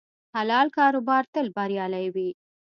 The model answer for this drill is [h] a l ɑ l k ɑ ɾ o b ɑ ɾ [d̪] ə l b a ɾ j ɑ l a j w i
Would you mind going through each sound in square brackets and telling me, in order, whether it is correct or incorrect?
correct, incorrect

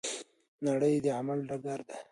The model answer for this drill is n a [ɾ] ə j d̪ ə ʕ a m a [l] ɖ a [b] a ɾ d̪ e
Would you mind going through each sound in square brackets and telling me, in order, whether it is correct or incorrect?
incorrect, correct, incorrect

